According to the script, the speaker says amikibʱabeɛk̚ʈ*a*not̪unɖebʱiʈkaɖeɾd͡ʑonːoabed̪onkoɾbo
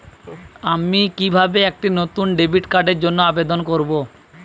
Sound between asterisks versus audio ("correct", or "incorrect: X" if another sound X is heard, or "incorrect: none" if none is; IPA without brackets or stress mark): incorrect: i